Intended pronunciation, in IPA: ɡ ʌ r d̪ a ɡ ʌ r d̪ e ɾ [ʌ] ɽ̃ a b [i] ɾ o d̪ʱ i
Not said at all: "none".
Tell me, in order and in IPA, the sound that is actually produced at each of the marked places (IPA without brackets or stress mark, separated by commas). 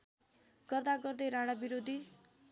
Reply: a, i